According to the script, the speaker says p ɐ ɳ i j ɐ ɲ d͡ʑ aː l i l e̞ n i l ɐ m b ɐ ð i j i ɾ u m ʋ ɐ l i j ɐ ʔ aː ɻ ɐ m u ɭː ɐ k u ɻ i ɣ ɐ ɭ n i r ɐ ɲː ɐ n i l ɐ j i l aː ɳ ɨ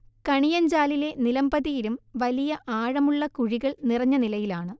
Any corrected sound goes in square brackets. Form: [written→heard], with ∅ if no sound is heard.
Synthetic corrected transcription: [p→k] ɐ ɳ i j ɐ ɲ d͡ʑ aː l i l e̞ n i l ɐ m b ɐ ð i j i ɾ u m ʋ ɐ l i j ɐ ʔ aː ɻ ɐ m u ɭː ɐ k u ɻ i ɣ ɐ ɭ n i r ɐ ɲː ɐ n i l ɐ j i l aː ɳ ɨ